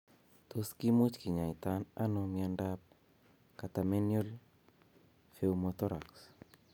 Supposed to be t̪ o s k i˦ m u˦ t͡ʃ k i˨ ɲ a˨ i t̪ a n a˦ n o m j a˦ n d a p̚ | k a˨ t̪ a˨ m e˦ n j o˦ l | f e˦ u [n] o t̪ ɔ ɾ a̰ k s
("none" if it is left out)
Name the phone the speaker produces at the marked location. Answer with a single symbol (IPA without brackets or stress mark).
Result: m